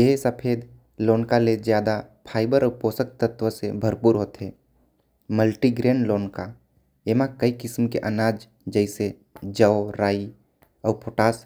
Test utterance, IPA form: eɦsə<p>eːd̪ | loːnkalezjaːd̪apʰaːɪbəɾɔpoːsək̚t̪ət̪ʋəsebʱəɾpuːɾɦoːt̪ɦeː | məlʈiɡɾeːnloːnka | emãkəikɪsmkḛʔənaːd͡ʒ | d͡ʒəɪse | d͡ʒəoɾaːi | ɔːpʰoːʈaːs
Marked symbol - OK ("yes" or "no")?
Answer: no